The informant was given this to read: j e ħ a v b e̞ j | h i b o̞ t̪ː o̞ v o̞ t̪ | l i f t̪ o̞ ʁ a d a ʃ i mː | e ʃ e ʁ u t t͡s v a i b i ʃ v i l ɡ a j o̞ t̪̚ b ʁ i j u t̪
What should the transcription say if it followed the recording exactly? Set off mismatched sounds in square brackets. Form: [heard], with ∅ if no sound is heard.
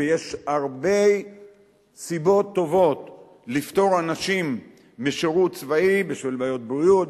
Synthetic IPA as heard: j e [ʃ] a [ʁ] b e̞ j | [s] i b o̞ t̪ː o̞ v o̞ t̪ | l i f t̪ o̞ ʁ a [n] a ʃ i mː | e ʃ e ʁ u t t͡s v a i b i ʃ v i l [b] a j o̞ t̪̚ b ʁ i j u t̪